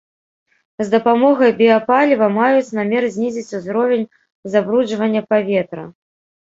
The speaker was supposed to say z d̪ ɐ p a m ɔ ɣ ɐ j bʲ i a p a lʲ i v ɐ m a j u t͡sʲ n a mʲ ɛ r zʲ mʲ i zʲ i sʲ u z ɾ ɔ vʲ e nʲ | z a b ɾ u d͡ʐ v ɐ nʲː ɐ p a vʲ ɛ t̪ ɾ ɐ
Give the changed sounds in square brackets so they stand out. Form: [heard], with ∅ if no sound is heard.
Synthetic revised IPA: z d̪ ɐ p a m ɔ ɣ ɐ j bʲ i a p a lʲ i v ɐ m a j u t͡sʲ n a mʲ ɛ r zʲ [nʲ] i zʲ i [t͡sʲ] u z ɾ ɔ vʲ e nʲ | z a b ɾ u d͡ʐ v ɐ nʲː ɐ p a vʲ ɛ t̪ ɾ ɐ